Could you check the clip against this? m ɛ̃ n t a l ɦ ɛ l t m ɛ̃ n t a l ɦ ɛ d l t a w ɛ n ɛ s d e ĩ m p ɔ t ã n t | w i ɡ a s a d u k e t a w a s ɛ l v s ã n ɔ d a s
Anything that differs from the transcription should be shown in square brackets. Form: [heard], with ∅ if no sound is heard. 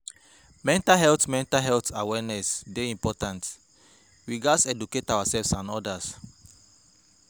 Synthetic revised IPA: m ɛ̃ n t a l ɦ ɛ l t m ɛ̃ n t a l ɦ ɛ [∅] l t a w ɛ n ɛ s d e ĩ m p ɔ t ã n t | w i ɡ a s [ɛ] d u k e t a w a s ɛ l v s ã n ɔ d a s

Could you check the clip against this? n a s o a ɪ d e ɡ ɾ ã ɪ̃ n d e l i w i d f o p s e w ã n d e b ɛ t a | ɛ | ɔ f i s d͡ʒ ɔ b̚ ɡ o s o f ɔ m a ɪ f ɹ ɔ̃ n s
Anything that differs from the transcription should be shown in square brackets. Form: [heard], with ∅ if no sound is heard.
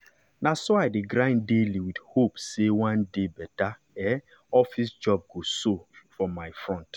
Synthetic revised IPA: n a s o a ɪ d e ɡ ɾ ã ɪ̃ n d e l i w i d [h] o p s e w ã n d e b ɛ t a | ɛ | ɔ f i s d͡ʒ ɔ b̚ ɡ o s o f ɔ m a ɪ f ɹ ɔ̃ n [t]

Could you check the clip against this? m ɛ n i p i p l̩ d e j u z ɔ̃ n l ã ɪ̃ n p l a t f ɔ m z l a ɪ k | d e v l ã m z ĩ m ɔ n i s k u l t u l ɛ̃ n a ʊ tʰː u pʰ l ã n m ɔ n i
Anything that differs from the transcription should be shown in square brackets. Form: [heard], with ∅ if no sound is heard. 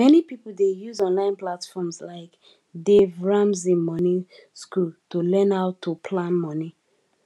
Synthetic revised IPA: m ɛ n i p i p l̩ d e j u z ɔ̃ n l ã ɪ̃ n p l a t f ɔ m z l a ɪ k | d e v [ɹ] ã m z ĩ m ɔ n i s k u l t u l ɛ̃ n a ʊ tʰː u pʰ l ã n m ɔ n i

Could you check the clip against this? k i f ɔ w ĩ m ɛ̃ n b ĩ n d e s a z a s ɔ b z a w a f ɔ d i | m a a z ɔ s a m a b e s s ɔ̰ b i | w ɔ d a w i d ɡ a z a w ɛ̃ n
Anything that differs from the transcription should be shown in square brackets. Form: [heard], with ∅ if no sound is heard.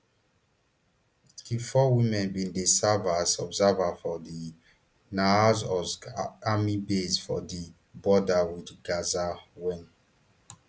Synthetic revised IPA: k i f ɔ w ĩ m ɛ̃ n b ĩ n d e s a [v] a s ɔ b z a [v] a f ɔ d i | [n] a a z ɔ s a m [i] b e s [f] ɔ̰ [d] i | [b] ɔ d a w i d ɡ a z a w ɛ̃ n

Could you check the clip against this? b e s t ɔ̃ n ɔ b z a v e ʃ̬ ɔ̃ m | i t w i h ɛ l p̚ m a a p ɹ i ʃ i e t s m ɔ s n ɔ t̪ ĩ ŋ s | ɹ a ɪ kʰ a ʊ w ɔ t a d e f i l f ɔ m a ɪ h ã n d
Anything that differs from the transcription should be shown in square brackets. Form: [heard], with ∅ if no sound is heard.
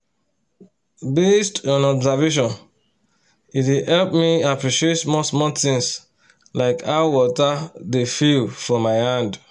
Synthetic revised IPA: b e s t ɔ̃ n ɔ b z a v e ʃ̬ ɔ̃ [n] | i t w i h ɛ l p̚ m [i] a p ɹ i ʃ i e t s m ɔ s [m] ɔ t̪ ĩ ŋ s | [l] a ɪ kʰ a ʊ w ɔ t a d e f i l f ɔ m a ɪ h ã n d

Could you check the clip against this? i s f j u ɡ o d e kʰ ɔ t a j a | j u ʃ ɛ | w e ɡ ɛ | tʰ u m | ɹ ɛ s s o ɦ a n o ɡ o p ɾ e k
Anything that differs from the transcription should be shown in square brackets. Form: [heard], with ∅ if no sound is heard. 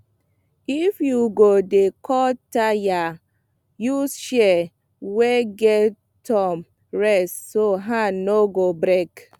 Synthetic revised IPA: i [∅] f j u ɡ o d e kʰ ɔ t a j a | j u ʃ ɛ | w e ɡ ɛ | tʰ [ɔ] m | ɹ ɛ s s o ɦ a n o ɡ o [b] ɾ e k

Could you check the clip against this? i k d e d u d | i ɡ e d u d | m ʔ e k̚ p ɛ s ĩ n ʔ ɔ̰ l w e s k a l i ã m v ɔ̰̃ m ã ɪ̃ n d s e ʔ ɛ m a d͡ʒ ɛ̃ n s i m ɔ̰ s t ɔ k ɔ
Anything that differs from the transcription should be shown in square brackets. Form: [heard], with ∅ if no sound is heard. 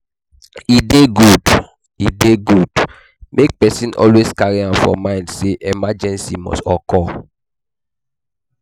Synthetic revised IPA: i [∅] d e [ɡ] u d | i [d] e [ɡ] u d | m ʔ e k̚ p ɛ s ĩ n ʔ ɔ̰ l w e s k a [ɹ] i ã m [f] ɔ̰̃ m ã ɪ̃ n d s e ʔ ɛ m a d͡ʒ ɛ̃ n s i m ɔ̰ s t ɔ k ɔ

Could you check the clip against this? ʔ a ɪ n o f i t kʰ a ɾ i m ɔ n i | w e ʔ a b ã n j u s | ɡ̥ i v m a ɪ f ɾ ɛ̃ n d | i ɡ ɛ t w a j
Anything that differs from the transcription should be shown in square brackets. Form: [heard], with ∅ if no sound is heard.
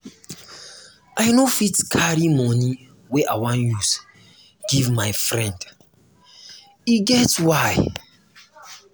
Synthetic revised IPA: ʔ a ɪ n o f i t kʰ a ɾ i m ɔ n i | w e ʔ a [w] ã n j u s | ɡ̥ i v m a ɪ f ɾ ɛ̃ n d | i ɡ ɛ t w a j

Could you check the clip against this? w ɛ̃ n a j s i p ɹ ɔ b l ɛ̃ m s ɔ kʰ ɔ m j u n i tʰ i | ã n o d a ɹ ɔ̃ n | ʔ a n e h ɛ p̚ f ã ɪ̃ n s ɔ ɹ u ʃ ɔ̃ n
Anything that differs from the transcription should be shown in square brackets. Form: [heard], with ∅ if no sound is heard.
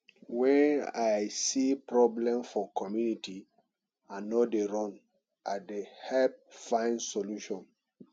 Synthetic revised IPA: w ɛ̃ n a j s i p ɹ ɔ b l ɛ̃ m [f] ɔ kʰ ɔ m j u n i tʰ i | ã n o d [e] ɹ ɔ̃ n | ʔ a [d] e h ɛ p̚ f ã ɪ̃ n s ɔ [l] u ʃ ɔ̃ n

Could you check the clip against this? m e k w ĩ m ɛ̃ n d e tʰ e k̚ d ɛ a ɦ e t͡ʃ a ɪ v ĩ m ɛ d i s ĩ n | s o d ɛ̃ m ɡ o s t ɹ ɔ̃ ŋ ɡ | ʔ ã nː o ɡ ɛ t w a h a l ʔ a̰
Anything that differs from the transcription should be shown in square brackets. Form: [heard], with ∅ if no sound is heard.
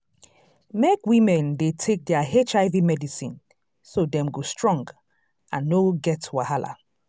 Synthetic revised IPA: m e k w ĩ m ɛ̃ n d e tʰ e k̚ d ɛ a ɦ e t͡ʃ a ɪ v [i] m ɛ d i s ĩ n | s o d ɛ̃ m ɡ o s t ɹ ɔ̃ ŋ ɡ | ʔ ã nː o ɡ ɛ t w a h a l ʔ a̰

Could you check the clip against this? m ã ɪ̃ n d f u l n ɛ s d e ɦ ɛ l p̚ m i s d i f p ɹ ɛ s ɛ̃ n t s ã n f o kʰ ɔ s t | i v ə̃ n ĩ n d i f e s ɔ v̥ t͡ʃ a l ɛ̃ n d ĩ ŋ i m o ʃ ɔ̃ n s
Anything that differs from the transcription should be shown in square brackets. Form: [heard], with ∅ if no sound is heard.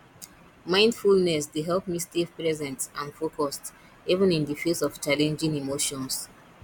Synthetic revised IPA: m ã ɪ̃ n d f u l n ɛ s d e ɦ ɛ l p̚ m i s [t] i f p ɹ ɛ [z] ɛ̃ n t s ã n f o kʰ ɔ s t | i v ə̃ n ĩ n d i f e s ɔ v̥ t͡ʃ a l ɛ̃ n [d͡ʒ] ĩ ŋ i m o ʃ ɔ̃ n s

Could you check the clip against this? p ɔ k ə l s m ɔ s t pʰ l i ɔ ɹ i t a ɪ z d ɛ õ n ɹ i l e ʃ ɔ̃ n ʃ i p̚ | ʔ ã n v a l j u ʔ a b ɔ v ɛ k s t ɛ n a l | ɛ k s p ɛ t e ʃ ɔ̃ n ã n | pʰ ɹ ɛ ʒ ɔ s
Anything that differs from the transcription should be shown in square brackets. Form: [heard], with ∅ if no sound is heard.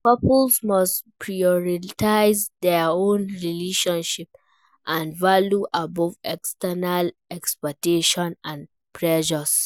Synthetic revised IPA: p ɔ [p] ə l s m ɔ s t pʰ [ɹ] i ɔ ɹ i t a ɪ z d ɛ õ n ɹ i l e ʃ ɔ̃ n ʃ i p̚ | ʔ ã n v a l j u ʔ a b ɔ v ɛ k s t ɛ n a l | ɛ k s p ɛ t e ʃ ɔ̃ n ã n | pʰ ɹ ɛ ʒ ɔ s

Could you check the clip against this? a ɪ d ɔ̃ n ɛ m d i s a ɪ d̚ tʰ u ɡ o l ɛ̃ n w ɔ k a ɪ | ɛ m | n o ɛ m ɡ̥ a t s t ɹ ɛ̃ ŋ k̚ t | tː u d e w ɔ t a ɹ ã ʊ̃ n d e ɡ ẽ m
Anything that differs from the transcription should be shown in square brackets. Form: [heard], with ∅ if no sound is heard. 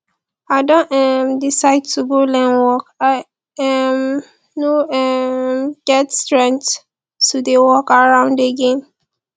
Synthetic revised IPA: a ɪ d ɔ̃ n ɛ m d i s a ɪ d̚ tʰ u ɡ o l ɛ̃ n w ɔ k a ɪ | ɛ m | n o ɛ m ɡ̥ [ɛ] t s t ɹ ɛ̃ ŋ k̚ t | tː u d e w ɔ [k] a ɹ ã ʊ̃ n d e ɡ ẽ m

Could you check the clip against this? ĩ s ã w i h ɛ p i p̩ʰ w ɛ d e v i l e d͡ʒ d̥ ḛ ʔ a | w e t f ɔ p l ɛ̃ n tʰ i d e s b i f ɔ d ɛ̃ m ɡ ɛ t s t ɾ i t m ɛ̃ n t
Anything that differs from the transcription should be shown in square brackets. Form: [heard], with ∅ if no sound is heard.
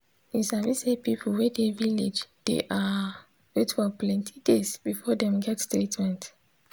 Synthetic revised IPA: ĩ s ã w i [s] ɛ p i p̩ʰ w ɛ d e v i l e d͡ʒ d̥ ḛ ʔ a | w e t f ɔ p l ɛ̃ n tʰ i d e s b i f ɔ d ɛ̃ m ɡ ɛ t s t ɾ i t m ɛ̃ n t

